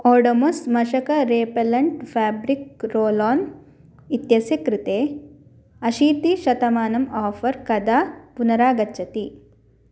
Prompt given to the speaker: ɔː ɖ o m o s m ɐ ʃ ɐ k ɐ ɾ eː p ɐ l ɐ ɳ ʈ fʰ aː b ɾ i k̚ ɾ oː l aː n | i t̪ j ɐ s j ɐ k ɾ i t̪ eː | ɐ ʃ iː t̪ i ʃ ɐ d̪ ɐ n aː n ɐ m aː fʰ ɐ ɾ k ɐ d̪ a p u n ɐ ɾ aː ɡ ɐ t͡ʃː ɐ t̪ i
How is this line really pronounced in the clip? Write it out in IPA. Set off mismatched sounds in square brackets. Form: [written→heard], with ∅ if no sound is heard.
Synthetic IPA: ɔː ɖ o m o s m ɐ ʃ ɐ k ɐ ɾ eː p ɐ l ɐ ɳ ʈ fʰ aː b ɾ i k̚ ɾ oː l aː n | i t̪ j ɐ s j ɐ k ɾ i t̪ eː | ɐ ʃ iː t̪ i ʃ ɐ [d̪→t̪] ɐ [n→m] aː n ɐ m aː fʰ ɐ ɾ k ɐ d̪ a p u n ɐ ɾ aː ɡ ɐ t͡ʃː ɐ t̪ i